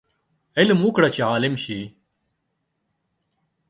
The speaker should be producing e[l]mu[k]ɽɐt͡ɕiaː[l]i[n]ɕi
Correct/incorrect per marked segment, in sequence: correct, correct, correct, incorrect: m

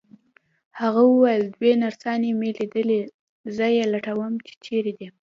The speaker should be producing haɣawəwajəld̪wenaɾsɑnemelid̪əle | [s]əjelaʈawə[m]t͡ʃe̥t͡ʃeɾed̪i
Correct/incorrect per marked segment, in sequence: incorrect: z, correct

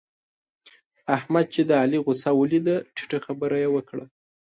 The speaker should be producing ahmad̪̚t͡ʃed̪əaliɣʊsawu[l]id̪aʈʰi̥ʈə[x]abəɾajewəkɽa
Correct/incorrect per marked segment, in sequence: correct, correct

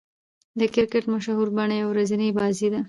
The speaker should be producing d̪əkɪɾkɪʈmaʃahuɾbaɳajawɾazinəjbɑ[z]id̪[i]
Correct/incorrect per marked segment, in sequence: correct, incorrect: a

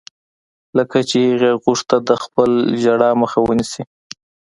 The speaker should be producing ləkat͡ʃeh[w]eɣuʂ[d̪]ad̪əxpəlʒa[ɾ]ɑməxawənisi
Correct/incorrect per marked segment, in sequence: incorrect: ɣ, incorrect: t̪, incorrect: ɽ

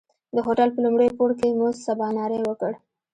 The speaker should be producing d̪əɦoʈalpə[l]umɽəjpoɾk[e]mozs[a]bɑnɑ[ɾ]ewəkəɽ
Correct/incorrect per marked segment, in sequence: correct, correct, correct, correct

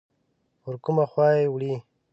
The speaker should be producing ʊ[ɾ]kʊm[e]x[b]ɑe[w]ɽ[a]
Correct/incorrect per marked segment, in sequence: correct, incorrect: a, incorrect: w, correct, incorrect: i

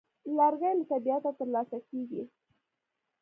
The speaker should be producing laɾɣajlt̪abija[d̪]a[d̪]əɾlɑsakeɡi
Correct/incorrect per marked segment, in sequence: incorrect: t̪, incorrect: t̪

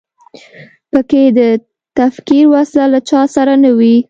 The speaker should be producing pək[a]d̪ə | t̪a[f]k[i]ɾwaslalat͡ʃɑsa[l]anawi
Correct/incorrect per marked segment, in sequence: incorrect: e, correct, correct, incorrect: ɾ

